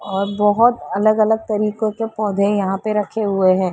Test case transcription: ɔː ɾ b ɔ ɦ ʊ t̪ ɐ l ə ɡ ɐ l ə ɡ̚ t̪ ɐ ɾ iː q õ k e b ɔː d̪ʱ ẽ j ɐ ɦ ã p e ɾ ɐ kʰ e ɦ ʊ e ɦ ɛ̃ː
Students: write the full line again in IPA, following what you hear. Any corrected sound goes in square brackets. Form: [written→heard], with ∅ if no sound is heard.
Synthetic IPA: ɔː ɾ b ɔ ɦ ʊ t̪ ɐ l ə ɡ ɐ l ə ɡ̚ t̪ ɐ ɾ iː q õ k e [b→p] ɔː d̪ʱ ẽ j ɐ ɦ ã p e ɾ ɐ kʰ e ɦ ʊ e ɦ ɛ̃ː